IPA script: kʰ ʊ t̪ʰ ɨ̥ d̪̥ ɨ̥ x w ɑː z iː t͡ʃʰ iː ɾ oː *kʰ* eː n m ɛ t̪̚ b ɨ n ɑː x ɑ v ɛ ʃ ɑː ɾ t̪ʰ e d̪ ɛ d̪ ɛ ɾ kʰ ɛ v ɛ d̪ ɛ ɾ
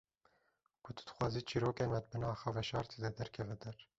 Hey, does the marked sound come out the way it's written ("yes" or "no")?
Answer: no